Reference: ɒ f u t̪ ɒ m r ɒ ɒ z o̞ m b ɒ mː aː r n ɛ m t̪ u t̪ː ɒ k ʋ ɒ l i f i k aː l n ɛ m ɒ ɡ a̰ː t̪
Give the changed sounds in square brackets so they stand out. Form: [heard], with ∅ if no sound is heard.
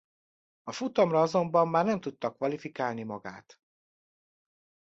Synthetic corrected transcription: ɒ f u t̪ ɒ m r ɒ ɒ z o̞ m b ɒ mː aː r n ɛ m t̪ u t̪ː ɒ k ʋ ɒ l i f i k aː l n [i] m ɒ ɡ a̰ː t̪